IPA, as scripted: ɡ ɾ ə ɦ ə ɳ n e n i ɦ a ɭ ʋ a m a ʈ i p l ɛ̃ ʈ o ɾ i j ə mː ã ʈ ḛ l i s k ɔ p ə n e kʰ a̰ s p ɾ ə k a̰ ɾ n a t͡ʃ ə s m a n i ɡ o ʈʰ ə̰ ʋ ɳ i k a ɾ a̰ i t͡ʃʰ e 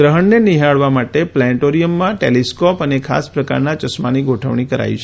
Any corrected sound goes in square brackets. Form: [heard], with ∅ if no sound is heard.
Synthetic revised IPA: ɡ ɾ ə ɦ ə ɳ n e n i ɦ a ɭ ʋ a m a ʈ [e] p l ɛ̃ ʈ o ɾ i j ə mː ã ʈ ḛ l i s k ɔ p ə n e kʰ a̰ s p ɾ ə k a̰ ɾ n a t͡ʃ ə s m a n i ɡ o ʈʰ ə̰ ʋ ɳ i k [ə] ɾ a̰ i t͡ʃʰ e